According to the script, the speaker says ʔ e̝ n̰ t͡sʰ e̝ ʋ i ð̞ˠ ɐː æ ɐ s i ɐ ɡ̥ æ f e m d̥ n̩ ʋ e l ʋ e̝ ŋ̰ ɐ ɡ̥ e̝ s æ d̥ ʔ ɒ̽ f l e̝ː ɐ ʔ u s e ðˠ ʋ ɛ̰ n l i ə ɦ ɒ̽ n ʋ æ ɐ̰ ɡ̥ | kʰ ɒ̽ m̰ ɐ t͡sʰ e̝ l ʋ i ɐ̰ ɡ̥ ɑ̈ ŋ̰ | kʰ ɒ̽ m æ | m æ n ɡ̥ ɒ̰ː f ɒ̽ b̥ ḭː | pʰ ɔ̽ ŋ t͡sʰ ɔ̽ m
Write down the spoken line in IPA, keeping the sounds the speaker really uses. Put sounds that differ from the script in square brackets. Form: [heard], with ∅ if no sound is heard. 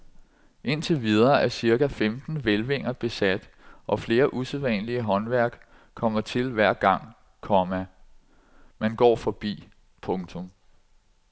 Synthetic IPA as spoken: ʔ e̝ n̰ t͡sʰ e̝ ʋ i ð̞ˠ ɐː æ ɐ s i ɐ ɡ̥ æ f e m d̥ n̩ ʋ e l ʋ e̝ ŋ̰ ɐ [b̥] e̝ s æ d̥ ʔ ɒ̽ f l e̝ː ɐ ʔ u s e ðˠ ʋ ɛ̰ n l i ə ɦ ɒ̽ n ʋ æ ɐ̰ ɡ̥ | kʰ ɒ̽ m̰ ɐ t͡sʰ e̝ l ʋ [æ] ɐ̰ ɡ̥ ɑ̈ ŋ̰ | kʰ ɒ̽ m æ | m æ n ɡ̥ ɒ̰ː f ɒ̽ b̥ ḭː | pʰ ɔ̽ ŋ t͡sʰ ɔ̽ m